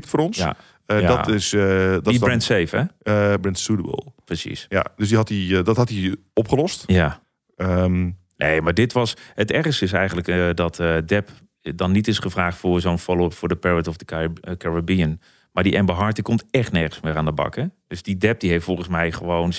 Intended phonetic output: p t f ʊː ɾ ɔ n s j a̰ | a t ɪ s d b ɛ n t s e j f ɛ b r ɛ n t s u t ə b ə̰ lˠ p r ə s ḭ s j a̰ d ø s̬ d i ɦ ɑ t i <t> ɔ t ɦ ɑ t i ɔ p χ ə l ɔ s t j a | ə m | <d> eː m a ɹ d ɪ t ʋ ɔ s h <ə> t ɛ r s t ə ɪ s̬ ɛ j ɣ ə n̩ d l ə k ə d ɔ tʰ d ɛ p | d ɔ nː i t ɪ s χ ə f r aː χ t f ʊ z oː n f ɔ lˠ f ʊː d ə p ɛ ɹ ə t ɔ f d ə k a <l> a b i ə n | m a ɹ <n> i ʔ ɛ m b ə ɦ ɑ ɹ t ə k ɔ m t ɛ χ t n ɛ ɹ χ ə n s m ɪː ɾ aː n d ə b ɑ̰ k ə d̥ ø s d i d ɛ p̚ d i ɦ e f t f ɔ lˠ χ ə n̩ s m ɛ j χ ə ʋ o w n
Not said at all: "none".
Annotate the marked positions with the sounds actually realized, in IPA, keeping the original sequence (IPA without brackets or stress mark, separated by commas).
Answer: d, n, ə, ɹ, d